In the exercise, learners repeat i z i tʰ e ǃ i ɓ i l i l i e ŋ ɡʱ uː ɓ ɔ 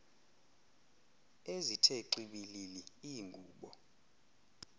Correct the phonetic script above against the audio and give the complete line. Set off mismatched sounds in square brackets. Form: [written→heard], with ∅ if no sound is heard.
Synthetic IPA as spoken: [i→e] z i tʰ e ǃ i ɓ i l i l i [e→i] ŋ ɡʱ uː ɓ ɔ